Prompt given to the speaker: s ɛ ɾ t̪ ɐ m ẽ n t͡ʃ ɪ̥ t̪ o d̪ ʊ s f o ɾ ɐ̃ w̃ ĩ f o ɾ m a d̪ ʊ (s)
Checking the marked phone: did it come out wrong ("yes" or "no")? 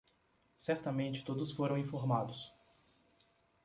no